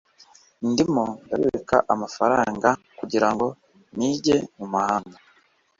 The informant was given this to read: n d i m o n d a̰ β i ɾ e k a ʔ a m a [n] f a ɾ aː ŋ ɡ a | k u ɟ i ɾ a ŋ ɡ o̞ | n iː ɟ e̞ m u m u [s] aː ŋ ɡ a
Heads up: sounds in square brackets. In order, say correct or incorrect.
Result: incorrect: none, incorrect: h

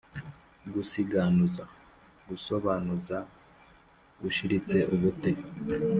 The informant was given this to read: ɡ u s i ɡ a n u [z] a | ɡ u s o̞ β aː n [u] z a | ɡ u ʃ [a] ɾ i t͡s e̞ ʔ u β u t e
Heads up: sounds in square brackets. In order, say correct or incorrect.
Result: correct, correct, incorrect: i

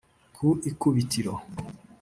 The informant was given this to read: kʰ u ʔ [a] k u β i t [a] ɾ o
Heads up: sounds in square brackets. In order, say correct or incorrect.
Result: incorrect: i, incorrect: i

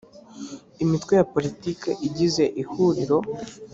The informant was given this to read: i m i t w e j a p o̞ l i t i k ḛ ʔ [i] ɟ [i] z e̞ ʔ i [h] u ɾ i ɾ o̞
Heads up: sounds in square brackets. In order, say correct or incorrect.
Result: correct, correct, correct

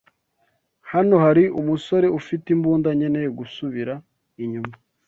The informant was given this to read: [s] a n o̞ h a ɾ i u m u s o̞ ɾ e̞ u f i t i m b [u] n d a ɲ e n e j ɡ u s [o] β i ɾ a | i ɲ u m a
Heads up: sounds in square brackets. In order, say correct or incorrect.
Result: incorrect: h, incorrect: uː, incorrect: u

